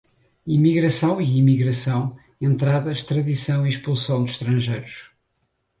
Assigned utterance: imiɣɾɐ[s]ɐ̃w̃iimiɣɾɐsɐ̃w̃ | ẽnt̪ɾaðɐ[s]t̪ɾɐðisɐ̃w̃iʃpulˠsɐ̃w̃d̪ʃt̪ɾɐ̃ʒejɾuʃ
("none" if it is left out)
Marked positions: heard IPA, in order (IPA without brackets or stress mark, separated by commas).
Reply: s, ʃ